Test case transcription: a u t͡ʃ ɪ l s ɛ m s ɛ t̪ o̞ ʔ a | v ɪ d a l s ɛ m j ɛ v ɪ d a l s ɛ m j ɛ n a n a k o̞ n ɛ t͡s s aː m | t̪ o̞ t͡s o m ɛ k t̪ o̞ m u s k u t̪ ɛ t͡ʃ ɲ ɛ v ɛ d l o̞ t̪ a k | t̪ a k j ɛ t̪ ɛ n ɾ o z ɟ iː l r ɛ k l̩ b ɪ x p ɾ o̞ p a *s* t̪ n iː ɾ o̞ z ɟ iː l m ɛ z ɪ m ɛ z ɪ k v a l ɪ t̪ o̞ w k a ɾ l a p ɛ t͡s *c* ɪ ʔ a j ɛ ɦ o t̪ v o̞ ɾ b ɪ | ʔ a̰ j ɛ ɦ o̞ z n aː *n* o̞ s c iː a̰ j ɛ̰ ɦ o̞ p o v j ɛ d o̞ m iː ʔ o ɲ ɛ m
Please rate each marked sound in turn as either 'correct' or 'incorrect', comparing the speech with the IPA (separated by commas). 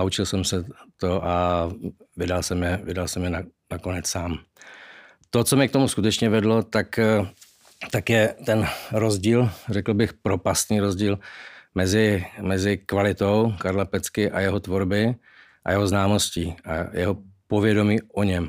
correct, incorrect, incorrect